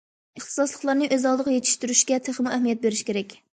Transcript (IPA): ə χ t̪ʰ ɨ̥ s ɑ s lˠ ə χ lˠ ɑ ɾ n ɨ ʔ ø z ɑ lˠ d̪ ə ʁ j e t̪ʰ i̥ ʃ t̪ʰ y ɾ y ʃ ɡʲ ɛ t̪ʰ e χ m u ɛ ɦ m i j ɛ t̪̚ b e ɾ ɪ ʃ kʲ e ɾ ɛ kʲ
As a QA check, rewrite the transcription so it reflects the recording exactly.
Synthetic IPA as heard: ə χ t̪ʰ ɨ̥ s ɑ s lˠ ə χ lˠ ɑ ɾ n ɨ ʔ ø z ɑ lˠ d̪ ə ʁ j e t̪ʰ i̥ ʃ t̪ y ɾ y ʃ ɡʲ ɛ t̪ʰ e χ m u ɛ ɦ m i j ɛ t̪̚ b e ɾ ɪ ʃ kʲ e ɾ ɛ kʲ